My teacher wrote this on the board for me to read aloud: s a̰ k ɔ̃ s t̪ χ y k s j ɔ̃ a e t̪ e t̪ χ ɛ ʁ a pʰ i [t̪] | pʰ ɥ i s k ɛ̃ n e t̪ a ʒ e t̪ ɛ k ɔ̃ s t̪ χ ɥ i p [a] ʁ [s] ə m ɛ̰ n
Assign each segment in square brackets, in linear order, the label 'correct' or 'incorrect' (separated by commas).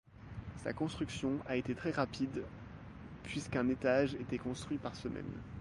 incorrect, correct, correct